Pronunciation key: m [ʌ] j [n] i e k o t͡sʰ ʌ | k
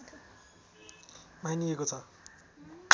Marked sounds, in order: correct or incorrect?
incorrect, correct

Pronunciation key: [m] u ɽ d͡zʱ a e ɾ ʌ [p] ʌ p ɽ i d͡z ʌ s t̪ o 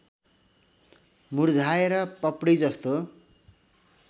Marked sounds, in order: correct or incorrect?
correct, correct

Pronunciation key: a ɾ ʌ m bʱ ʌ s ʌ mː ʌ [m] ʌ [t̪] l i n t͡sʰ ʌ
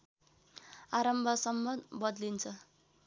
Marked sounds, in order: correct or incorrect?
incorrect, incorrect

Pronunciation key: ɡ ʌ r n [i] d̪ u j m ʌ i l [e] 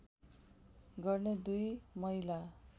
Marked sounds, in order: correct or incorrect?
incorrect, incorrect

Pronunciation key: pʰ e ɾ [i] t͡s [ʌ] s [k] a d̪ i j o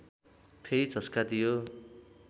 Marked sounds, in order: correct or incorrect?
correct, correct, correct

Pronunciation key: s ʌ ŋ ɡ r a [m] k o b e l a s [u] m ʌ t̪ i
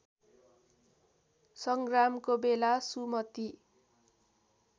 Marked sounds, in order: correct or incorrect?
correct, correct

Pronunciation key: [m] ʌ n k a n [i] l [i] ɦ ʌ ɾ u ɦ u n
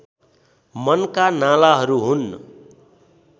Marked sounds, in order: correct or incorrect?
correct, incorrect, incorrect

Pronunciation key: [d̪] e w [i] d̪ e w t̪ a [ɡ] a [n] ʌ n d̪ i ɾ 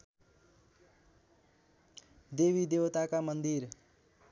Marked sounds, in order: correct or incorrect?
correct, correct, incorrect, incorrect

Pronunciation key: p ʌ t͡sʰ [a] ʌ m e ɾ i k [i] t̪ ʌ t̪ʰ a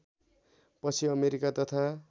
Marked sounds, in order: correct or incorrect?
incorrect, incorrect

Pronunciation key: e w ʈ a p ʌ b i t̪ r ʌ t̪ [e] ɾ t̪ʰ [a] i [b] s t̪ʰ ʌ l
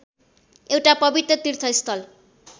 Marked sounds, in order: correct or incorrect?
incorrect, incorrect, incorrect

